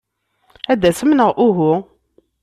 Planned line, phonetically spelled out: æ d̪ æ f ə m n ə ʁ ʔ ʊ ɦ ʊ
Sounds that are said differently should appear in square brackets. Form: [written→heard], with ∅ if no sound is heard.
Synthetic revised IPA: æ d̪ æ [f→s] ə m n ə ʁ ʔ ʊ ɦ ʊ